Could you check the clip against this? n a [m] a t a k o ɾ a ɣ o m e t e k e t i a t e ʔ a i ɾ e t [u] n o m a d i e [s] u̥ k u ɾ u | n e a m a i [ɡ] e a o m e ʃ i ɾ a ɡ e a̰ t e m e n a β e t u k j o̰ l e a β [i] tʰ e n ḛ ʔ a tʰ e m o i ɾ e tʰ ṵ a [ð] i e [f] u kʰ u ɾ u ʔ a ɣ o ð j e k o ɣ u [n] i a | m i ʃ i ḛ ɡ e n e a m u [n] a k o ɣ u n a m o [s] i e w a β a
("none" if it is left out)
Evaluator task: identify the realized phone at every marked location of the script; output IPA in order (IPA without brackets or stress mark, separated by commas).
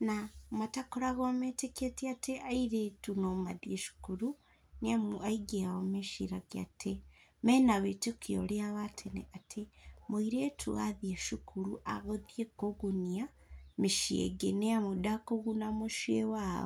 m, u, ʃ, ɡ, a, ð, ʃ, n, d, ʃ